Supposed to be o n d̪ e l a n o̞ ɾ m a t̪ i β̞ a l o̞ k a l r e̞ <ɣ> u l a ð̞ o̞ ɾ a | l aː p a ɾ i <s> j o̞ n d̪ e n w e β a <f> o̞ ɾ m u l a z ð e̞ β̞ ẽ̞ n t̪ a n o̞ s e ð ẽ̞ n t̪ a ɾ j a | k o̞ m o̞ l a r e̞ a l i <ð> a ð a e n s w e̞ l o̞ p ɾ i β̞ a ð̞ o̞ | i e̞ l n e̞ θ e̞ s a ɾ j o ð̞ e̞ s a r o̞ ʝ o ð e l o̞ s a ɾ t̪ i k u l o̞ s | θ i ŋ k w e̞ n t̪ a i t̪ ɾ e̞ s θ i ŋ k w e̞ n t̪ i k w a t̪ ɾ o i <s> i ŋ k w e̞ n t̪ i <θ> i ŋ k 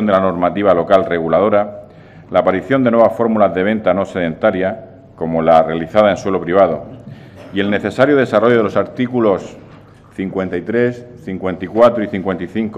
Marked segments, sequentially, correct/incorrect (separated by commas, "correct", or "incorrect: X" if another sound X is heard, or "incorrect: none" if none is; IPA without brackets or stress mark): correct, incorrect: θ, correct, incorrect: θ, incorrect: θ, correct